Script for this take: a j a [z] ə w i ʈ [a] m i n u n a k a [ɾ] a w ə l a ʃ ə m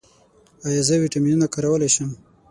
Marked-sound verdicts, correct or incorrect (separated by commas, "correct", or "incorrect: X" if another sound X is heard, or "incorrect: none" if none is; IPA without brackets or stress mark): correct, correct, correct